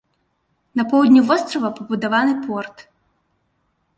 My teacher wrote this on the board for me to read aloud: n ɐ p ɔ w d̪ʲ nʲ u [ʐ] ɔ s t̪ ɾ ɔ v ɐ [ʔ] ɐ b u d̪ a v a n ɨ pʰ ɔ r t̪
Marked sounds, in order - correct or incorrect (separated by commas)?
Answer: incorrect, incorrect